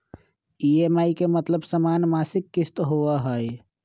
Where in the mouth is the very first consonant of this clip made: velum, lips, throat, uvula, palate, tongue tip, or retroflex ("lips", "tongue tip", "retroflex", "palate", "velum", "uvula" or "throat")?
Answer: lips